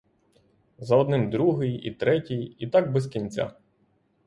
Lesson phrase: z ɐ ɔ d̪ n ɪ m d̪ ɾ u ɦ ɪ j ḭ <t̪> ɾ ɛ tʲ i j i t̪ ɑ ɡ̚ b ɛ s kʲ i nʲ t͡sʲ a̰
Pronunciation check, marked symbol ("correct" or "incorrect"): correct